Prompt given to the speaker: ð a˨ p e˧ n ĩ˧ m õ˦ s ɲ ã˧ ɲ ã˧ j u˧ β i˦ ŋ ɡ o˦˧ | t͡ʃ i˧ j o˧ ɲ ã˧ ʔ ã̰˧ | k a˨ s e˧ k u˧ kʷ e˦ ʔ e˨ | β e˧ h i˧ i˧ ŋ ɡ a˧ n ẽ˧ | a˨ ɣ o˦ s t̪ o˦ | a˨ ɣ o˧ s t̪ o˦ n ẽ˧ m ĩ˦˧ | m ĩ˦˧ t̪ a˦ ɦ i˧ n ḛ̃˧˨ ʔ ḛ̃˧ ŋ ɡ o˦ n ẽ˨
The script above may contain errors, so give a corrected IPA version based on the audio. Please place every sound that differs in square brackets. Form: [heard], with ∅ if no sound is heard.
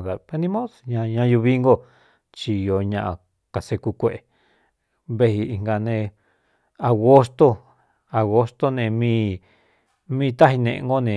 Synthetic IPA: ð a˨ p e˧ n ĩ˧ m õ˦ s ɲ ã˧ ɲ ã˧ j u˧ β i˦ ŋ ɡ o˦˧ | t͡ʃ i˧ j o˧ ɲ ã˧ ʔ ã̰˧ | k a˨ s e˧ k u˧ kʷ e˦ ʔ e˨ | β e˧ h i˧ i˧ ŋ ɡ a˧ n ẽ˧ | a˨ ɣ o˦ s t̪ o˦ | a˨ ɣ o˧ s t̪ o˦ n ẽ˧ m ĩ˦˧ | m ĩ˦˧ t̪ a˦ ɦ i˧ n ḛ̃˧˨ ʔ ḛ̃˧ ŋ ɡ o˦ n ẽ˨